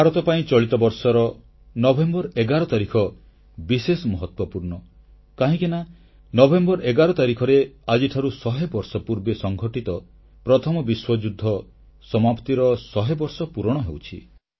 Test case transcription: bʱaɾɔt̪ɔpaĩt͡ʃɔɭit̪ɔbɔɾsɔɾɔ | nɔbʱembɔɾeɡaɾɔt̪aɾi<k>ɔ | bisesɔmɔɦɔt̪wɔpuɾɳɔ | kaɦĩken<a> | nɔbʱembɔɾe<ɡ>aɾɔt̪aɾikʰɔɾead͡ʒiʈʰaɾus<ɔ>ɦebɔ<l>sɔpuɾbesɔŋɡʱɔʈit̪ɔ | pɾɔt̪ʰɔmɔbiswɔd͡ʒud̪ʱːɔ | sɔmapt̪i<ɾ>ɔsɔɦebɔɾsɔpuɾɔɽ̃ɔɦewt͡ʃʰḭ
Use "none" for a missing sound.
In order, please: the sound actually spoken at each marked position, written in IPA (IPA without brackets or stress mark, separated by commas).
kʰ, a, ɡ, ɔ, ɾ, ɾ